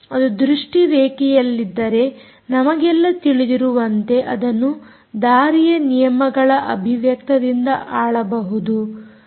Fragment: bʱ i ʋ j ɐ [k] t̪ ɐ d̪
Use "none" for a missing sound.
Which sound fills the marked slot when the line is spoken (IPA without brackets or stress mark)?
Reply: k